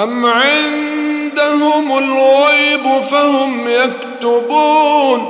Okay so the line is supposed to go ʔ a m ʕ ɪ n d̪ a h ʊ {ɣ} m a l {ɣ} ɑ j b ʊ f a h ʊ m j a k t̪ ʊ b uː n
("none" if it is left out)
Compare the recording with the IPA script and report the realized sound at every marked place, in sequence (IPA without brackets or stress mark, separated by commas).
none, ɣ